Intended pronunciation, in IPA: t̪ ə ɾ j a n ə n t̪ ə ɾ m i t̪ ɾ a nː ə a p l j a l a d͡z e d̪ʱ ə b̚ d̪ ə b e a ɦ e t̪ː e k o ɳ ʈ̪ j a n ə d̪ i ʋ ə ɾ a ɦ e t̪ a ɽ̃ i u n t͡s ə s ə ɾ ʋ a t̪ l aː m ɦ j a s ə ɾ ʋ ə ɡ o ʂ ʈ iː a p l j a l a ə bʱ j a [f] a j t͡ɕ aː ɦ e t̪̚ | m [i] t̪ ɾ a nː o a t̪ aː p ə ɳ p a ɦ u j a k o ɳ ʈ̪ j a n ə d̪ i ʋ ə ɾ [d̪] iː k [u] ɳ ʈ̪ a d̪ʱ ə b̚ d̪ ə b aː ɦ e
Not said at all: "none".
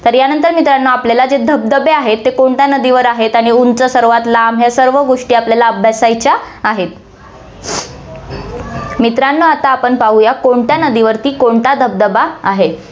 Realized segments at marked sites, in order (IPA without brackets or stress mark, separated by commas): s, i, t̪, o